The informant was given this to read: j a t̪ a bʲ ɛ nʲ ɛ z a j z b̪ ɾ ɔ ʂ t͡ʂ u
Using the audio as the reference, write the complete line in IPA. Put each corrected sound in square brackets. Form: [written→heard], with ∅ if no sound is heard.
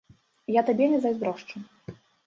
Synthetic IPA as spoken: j a t̪ a bʲ ɛ nʲ ɛ z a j z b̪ ɾ ɔ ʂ t͡ʂ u